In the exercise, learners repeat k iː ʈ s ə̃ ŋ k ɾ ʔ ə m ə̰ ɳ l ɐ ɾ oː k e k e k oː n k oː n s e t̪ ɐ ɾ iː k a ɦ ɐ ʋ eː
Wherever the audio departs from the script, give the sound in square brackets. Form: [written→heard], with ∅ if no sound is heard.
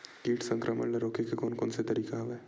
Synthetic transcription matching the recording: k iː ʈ s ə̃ ŋ k ɾ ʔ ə m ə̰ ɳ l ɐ ɾ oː k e k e k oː n k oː n s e t̪ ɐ ɾ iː k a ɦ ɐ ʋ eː